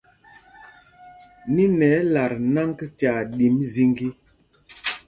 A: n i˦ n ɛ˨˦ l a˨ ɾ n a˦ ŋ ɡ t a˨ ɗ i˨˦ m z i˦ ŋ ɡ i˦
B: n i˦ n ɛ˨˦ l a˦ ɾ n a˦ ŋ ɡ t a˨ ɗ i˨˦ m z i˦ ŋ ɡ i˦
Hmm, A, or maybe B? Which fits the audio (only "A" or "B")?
A